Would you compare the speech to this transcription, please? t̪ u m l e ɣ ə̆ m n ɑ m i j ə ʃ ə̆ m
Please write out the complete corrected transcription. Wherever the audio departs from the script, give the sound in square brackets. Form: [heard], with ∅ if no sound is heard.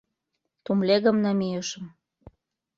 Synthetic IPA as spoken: t̪ u m l e ɣ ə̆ m n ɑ m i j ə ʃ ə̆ m